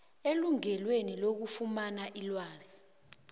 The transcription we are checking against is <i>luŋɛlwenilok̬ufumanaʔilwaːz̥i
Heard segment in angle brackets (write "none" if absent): e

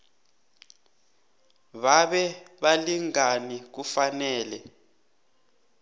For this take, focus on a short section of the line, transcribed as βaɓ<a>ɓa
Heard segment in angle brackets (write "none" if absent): ɛ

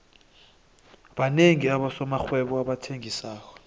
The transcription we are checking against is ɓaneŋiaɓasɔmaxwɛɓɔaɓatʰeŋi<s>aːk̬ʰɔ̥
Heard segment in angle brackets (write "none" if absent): s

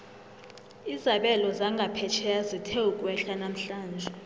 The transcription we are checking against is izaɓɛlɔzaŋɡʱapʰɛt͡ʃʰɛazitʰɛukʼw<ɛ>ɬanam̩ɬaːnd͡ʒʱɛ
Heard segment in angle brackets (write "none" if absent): ɛ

